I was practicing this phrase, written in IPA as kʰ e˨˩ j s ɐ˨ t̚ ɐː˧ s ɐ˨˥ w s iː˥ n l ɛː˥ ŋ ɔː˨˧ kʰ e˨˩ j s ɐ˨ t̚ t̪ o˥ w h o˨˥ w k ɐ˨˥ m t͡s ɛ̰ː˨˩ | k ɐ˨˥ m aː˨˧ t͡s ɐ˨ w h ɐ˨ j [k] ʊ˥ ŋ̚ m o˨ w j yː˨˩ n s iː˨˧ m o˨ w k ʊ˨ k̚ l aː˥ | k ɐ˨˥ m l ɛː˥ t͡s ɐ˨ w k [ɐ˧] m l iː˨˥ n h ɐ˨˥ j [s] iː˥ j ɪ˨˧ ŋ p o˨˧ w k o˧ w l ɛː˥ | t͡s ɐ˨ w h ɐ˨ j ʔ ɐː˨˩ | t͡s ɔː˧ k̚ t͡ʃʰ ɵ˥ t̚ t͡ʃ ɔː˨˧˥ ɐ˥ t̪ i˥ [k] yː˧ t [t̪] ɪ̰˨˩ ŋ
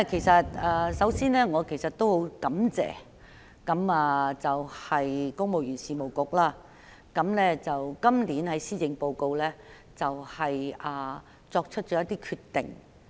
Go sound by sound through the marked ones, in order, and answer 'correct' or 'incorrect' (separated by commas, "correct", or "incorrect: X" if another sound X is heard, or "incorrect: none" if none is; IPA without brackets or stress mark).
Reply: correct, incorrect: ɐ˥, correct, incorrect: kʰ, correct